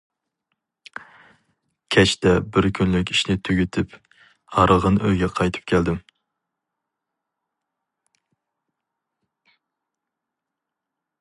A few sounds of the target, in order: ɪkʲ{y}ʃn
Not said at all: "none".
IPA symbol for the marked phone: i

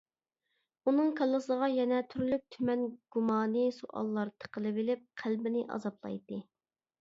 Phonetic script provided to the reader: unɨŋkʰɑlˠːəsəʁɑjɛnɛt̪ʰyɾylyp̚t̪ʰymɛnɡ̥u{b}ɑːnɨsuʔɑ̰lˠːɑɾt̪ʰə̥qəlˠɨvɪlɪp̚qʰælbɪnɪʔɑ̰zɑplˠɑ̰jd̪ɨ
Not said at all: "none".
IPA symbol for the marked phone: m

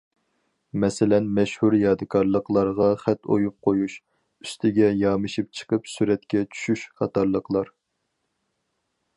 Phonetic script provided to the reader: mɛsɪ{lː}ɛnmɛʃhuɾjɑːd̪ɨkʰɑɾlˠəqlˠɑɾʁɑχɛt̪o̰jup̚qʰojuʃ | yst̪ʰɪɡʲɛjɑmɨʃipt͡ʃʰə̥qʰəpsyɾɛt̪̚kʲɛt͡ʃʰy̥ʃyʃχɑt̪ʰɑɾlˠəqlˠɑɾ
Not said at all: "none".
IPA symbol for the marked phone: l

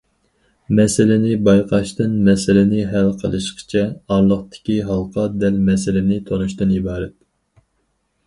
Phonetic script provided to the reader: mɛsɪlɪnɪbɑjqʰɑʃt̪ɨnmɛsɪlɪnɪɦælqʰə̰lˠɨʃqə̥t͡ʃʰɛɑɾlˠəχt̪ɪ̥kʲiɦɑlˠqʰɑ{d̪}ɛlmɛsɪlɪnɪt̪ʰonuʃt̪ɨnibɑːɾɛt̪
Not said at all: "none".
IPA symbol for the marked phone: d̪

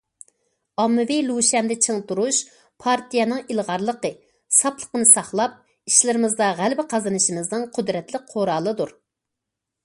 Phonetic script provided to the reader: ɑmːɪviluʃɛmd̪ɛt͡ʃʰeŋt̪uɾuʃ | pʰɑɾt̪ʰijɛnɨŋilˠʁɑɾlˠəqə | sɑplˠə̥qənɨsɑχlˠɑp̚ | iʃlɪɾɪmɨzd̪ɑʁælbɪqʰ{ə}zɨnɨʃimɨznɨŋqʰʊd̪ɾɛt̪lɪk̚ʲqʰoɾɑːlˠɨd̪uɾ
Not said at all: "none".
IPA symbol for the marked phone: ɑ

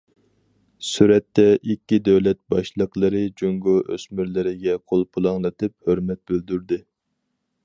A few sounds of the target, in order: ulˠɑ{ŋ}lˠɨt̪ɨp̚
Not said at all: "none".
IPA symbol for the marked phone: ŋ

